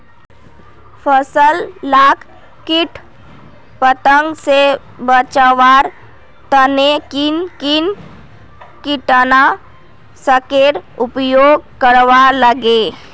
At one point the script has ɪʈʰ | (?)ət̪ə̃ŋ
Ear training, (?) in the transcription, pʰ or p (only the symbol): p